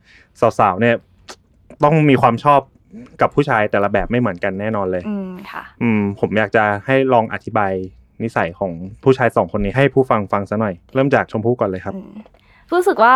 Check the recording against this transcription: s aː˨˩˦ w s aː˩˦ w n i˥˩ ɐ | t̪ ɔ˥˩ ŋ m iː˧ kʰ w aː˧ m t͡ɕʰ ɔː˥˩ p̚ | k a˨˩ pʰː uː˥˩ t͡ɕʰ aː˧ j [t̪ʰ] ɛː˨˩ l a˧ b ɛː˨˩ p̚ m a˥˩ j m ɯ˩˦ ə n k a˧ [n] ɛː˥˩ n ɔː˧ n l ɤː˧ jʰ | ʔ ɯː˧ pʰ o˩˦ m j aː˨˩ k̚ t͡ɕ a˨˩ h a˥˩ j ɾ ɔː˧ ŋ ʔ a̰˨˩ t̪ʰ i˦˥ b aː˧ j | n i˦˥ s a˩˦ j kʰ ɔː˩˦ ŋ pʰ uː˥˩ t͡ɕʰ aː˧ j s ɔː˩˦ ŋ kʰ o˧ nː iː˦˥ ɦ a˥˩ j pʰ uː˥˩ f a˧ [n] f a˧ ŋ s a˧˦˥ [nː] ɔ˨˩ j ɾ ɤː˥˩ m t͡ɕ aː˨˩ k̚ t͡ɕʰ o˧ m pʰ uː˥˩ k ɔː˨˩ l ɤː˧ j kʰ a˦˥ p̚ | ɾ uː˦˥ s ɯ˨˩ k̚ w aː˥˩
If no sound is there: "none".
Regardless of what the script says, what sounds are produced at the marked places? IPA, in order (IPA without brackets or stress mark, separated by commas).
t̪, nː, ŋ, n